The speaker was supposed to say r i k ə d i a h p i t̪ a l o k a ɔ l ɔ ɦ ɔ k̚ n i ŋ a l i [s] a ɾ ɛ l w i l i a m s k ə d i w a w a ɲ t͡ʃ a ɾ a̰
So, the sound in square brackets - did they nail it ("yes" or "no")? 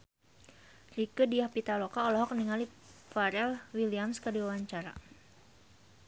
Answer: no